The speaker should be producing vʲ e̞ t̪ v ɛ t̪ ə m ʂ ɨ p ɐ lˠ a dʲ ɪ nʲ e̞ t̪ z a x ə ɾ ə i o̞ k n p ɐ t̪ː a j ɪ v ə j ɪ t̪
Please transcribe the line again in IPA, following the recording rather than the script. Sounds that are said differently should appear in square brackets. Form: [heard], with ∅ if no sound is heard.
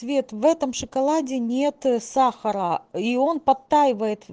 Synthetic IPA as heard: vʲ e̞ t̪ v ɛ t̪ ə m ʂ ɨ [k] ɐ lˠ a dʲ ɪ nʲ e̞ t̪ [s] a x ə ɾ ə i o̞ [∅] n p ɐ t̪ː a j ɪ v ə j ɪ t̪

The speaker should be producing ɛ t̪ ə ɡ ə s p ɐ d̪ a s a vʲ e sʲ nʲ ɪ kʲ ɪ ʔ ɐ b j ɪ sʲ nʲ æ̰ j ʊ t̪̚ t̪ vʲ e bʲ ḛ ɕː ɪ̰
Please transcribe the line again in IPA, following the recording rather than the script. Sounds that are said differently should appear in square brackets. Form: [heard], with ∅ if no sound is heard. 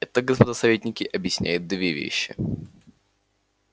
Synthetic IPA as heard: ɛ t̪ ə ɡ ə s p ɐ d̪ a s [ɐ] vʲ e [tʲ] nʲ ɪ kʲ ɪ ʔ ɐ b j ɪ sʲ nʲ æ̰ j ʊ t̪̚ [d̪] vʲ e [vʲ] ḛ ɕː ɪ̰

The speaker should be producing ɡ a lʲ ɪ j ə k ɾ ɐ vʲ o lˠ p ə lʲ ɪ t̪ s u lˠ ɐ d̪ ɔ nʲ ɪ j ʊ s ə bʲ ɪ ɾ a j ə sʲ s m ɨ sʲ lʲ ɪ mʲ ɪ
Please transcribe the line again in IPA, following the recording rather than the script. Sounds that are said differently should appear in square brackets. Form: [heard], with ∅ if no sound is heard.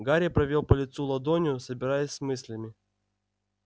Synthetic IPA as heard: ɡ a [ɾʲ] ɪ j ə [p] ɾ ɐ vʲ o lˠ p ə lʲ ɪ t̪ s u lˠ ɐ d̪ [o] nʲ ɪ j ʊ s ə bʲ ɪ ɾ a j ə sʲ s m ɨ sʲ lʲ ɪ mʲ ɪ

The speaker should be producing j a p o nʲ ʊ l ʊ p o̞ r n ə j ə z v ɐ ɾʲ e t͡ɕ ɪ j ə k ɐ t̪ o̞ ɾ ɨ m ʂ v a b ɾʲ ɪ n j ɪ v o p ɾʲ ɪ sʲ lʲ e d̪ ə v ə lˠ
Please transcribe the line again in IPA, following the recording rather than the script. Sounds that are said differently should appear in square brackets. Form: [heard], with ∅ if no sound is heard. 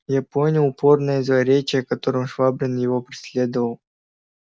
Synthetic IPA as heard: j a p o nʲ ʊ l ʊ p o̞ r n ə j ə z v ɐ ɾʲ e t͡ɕ ɪ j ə k ɐ t̪ o̞ ɾ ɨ m ʂ v a b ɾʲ ɪ n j ɪ v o p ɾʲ ɪ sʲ lʲ e d̪ ə v ə lˠ

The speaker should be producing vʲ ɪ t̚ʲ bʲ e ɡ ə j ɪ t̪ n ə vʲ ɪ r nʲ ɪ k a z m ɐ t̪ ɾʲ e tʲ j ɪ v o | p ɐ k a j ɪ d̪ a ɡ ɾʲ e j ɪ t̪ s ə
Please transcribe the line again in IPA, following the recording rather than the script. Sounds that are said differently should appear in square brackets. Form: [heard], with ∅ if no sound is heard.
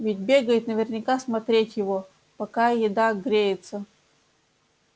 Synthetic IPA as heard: vʲ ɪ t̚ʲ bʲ e ɡ ə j ɪ t̪ n ə vʲ ɪ r nʲ ɪ k a [s] m ɐ t̪ ɾʲ e tʲ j ɪ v o | p ɐ k a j ɪ d̪ a ɡ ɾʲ e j ɪ t̪ s ə

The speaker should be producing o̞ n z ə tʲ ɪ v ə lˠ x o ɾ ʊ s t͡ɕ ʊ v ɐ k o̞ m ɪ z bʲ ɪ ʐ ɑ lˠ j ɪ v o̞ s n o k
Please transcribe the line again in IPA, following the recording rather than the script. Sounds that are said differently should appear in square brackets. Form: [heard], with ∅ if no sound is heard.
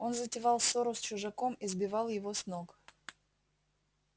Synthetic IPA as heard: o̞ n z ə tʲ ɪ v [ɑ] lˠ [s] o ɾ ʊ s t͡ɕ ʊ [ʐ] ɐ k o̞ m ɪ z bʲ ɪ [v] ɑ lˠ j ɪ v o̞ s n o k

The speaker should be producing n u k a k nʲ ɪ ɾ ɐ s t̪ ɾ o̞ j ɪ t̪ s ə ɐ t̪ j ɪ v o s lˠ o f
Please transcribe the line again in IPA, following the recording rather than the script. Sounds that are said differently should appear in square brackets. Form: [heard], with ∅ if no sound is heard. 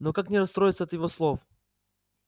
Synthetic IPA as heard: n [o] k a k nʲ ɪ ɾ ɐ s t̪ ɾ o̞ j ɪ t̪ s ə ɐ t̪ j ɪ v o s lˠ o f

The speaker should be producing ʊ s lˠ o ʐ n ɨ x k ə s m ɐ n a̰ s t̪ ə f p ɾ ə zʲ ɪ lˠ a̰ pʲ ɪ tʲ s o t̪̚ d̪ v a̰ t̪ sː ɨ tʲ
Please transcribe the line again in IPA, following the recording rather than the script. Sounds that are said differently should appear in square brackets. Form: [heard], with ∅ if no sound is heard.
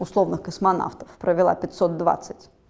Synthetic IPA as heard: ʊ s lˠ o [v] n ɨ x k ə s m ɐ n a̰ [f] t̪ ə f p ɾ ə [vʲ] ɪ lˠ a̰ pʲ ɪ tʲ s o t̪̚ d̪ v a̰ t̪ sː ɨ tʲ

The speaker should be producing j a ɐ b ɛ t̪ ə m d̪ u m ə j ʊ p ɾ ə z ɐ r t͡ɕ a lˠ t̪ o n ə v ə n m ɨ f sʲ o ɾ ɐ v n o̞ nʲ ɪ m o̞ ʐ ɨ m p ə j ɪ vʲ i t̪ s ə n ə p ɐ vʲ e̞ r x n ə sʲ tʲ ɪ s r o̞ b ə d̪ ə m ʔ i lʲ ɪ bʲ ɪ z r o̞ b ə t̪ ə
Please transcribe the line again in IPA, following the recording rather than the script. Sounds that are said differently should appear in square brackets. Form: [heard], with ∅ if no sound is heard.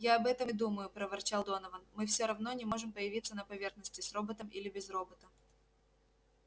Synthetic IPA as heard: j a ɐ b ɛ t̪ ə m d̪ u m ə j ʊ p ɾ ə [v] ɐ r t͡ɕ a lˠ [d̪] o n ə v ə n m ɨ f sʲ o ɾ ɐ v n o̞ nʲ ɪ m o̞ ʐ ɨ m p ə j ɪ vʲ i t̪ s ə n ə p ɐ vʲ e̞ r x n ə sʲ tʲ ɪ s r o̞ b ə [t̪] ə m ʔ i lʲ ɪ bʲ ɪ z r o̞ b ə t̪ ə

